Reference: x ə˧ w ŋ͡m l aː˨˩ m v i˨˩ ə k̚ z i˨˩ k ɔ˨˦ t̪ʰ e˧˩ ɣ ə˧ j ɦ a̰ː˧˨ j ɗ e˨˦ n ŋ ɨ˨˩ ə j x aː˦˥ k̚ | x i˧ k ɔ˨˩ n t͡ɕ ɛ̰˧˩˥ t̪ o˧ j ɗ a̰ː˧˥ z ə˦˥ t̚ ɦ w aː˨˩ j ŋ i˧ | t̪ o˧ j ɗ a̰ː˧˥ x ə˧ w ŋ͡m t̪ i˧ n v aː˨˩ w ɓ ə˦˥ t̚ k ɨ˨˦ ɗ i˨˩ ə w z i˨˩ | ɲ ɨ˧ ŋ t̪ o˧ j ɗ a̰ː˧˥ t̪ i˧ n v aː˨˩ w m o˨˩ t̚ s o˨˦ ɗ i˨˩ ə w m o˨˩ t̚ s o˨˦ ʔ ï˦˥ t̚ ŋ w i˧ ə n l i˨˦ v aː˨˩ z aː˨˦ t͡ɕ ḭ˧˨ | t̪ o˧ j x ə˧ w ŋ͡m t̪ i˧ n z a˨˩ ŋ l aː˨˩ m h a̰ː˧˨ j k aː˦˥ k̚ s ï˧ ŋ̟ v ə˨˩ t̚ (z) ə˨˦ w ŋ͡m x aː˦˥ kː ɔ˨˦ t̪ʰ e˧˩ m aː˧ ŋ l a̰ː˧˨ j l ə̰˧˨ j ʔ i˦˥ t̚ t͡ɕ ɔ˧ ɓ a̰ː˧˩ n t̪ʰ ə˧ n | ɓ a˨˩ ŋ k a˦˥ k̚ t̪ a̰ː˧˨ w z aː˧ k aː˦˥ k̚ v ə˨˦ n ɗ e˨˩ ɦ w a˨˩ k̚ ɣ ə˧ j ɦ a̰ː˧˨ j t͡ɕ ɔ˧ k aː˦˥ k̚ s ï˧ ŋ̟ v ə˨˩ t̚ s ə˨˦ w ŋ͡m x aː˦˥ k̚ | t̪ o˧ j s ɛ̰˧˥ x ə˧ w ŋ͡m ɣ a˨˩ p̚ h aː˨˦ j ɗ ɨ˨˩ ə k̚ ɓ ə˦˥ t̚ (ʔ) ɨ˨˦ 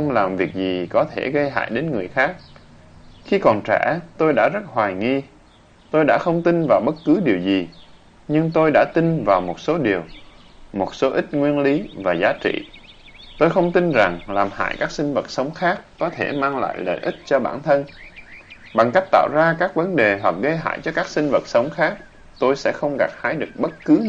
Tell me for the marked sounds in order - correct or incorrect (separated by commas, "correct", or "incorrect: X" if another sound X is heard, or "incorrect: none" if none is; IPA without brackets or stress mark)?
incorrect: s, incorrect: k